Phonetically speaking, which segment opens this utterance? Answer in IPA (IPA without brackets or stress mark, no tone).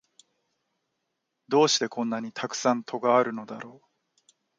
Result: d̪